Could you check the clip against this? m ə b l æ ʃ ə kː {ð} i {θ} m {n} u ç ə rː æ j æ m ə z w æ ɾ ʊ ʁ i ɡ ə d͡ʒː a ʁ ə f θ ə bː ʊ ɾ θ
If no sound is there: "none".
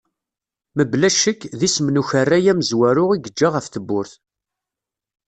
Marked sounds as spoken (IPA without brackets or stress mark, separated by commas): ð, s, n